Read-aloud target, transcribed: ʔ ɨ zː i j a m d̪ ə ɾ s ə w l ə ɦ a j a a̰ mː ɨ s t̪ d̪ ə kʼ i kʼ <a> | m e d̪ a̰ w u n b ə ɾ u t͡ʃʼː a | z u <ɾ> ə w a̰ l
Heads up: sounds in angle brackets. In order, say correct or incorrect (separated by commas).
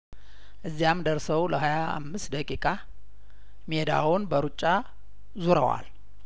correct, correct